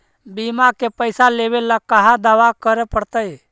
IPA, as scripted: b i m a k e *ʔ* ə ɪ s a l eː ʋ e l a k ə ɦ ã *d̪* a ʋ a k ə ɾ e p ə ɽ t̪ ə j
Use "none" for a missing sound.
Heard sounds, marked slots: p, d̪

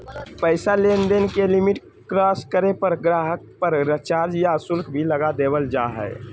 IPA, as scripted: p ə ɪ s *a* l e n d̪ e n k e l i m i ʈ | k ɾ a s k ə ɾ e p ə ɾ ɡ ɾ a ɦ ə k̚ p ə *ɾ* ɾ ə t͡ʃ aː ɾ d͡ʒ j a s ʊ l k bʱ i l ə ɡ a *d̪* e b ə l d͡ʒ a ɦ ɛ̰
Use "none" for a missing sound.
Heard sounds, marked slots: a, ɾ, d̪

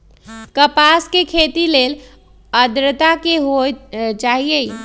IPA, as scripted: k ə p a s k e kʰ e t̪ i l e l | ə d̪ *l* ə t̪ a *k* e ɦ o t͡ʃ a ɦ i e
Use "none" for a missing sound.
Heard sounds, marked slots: ɾ, k

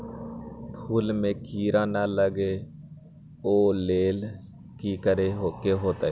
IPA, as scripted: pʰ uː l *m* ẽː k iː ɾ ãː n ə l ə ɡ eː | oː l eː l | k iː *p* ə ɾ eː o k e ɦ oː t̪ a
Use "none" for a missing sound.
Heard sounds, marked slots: m, k

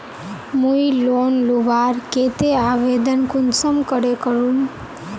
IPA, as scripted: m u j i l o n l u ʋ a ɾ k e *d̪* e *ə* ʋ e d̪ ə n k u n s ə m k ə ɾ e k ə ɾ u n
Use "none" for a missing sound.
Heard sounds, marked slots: t̪, a

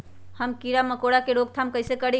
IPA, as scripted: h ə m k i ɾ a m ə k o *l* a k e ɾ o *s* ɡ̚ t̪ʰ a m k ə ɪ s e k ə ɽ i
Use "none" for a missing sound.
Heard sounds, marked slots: ɽ, none

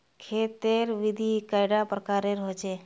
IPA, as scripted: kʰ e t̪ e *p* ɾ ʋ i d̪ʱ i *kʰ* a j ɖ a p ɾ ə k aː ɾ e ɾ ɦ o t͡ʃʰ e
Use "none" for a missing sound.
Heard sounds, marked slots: none, k

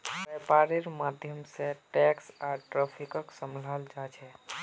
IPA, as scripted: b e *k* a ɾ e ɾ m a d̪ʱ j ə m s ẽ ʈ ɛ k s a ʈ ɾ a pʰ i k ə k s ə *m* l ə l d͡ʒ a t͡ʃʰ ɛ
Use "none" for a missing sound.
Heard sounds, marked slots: p, m

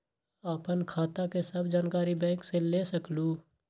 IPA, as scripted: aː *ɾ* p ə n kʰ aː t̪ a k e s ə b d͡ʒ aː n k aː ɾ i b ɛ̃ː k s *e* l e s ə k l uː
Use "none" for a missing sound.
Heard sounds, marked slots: none, e

